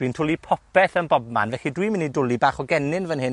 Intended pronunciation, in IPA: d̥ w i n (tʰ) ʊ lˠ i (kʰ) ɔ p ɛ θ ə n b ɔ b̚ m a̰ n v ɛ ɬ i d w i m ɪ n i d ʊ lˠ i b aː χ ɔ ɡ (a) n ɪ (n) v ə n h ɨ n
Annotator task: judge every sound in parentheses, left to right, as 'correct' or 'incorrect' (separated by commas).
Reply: correct, incorrect, incorrect, correct